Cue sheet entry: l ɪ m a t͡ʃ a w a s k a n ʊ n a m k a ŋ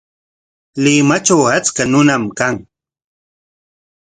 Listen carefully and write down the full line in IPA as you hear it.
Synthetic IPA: l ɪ m a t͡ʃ a w a t͡s k a n ʊ n a m k a ŋ